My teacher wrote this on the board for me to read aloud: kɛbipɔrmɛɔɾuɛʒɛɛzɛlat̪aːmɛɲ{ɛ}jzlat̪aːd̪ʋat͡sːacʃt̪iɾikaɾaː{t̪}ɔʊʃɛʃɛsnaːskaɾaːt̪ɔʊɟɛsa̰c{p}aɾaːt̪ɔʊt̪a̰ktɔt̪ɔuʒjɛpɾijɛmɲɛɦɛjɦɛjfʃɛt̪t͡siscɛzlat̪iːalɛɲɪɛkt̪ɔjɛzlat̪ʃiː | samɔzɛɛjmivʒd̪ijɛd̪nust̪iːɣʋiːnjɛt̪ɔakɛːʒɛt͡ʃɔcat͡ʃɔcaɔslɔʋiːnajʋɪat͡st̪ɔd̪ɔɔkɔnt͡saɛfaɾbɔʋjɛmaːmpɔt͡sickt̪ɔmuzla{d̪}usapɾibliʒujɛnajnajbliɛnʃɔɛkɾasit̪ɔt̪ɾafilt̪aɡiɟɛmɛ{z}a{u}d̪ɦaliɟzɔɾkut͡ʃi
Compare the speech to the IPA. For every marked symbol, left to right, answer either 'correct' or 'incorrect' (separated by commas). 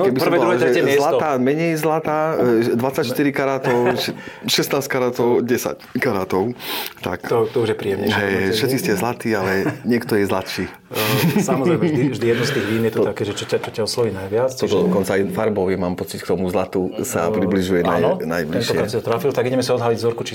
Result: correct, correct, incorrect, incorrect, incorrect, incorrect